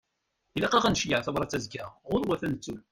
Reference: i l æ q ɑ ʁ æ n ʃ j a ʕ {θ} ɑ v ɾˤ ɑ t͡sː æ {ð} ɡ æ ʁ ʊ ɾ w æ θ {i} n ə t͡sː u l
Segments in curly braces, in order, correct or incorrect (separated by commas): correct, incorrect, incorrect